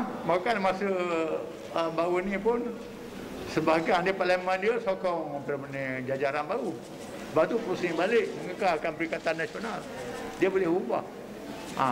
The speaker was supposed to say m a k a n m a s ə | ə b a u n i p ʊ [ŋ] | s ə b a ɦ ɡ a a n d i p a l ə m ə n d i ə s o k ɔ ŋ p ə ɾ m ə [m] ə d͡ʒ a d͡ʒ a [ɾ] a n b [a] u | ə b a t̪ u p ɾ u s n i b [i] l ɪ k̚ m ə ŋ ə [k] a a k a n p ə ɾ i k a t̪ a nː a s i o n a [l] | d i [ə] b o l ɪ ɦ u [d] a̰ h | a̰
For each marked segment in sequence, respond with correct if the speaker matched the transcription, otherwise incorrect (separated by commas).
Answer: incorrect, incorrect, correct, correct, incorrect, correct, correct, correct, incorrect